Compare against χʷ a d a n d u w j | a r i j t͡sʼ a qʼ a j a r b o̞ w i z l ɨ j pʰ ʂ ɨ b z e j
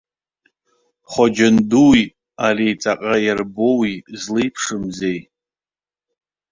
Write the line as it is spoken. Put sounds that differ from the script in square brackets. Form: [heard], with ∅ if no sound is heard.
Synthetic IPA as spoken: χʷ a [d͡ʒ] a n d u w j | a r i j t͡sʼ a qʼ a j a r b o̞ w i z l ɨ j pʰ ʂ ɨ [m] z e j